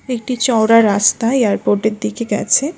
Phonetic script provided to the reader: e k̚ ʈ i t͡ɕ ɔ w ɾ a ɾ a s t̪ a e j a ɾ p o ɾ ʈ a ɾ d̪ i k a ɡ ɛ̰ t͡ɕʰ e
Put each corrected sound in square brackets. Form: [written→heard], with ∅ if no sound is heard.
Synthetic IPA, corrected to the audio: e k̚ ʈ i t͡ɕ ɔ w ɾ a ɾ a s t̪ a e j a ɾ p o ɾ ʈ [a→e] ɾ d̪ i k [a→e] ɡ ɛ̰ t͡ɕʰ e